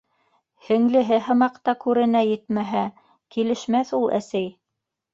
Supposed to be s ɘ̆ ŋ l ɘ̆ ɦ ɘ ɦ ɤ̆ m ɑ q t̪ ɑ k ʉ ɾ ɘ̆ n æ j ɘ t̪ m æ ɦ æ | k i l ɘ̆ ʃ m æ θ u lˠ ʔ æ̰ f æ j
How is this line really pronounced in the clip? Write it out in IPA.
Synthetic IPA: h ɘ̆ ŋ l ɘ̆ ɦ ɘ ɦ ɤ̆ m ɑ q t̪ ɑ k ʉ ɾ ɘ̆ n æ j ɘ t̪ m æ ɦ æ | k i l ɘ̆ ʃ m æ θ u lˠ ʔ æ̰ s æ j